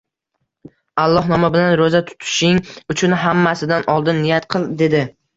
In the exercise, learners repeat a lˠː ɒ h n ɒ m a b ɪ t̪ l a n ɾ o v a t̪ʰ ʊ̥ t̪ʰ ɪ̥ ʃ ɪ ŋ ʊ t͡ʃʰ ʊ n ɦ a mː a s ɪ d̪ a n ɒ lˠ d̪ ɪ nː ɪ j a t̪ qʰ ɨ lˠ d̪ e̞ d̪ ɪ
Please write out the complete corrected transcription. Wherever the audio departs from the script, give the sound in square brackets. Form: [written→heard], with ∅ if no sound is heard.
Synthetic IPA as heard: a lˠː ɒ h n ɒ m a b ɪ [t̪→∅] l a n ɾ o [v→z] a t̪ʰ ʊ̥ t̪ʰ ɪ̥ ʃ ɪ ŋ ʊ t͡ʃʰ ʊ n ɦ a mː a s ɪ d̪ a n ɒ lˠ d̪ ɪ nː ɪ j a t̪ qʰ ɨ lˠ d̪ e̞ d̪ ɪ